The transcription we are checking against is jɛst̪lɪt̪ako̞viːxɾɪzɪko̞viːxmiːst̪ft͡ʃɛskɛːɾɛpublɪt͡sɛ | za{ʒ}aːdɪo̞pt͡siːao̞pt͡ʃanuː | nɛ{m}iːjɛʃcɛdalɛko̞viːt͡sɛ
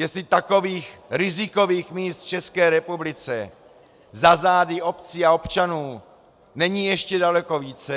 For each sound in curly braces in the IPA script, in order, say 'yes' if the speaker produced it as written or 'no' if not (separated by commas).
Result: no, no